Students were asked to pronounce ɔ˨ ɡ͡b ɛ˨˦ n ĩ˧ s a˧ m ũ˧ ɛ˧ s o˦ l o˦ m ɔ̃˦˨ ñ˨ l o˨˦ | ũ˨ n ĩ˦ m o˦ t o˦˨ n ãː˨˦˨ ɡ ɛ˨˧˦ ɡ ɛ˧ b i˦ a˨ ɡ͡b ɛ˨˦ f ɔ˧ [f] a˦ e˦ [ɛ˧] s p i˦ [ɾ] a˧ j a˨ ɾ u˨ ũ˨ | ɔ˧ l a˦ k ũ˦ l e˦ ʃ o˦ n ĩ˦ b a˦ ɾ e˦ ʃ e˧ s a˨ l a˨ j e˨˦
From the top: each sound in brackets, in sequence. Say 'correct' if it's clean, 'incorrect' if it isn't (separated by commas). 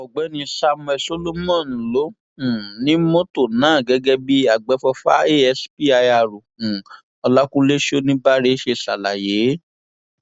correct, correct, incorrect